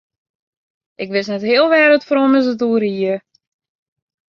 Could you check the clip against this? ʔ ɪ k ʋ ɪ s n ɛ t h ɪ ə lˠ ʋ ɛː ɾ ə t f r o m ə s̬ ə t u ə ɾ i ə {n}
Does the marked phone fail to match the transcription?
yes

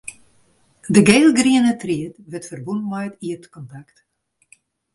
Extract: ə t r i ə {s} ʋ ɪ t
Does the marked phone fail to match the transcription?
yes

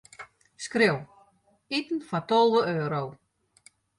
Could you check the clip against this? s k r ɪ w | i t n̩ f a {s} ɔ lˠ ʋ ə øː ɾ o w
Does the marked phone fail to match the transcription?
yes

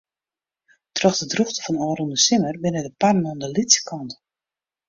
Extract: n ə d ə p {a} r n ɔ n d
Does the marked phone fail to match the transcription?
no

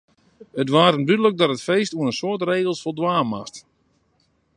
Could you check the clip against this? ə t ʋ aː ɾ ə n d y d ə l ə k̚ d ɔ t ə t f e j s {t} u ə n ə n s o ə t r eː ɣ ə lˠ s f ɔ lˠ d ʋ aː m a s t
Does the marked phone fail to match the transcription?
no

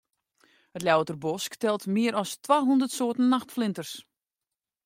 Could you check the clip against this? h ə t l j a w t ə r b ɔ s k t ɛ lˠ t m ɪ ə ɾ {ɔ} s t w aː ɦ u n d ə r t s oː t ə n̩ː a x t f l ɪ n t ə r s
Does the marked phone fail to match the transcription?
no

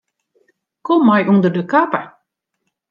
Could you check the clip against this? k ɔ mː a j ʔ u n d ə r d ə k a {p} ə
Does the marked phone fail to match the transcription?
no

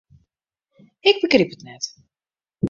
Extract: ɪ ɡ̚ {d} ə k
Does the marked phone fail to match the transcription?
yes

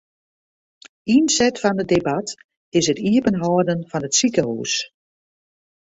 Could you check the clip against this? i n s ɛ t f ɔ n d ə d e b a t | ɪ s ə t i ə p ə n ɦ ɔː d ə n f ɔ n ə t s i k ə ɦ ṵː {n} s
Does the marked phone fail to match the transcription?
yes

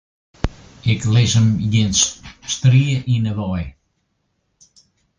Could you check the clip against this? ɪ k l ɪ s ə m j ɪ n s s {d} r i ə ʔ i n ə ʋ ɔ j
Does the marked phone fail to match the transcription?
yes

